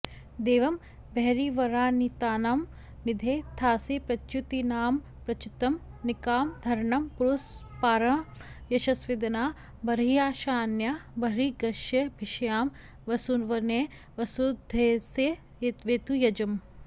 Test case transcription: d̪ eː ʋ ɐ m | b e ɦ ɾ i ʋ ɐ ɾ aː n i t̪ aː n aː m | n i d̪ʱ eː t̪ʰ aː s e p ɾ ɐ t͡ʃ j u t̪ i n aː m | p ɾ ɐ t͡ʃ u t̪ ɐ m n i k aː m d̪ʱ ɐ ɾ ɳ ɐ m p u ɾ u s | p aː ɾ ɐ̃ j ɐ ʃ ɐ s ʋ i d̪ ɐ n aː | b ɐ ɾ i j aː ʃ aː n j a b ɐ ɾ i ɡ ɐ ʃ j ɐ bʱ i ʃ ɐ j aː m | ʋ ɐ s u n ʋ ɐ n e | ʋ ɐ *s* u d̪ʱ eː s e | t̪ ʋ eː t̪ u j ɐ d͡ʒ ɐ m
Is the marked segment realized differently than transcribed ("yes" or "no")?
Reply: no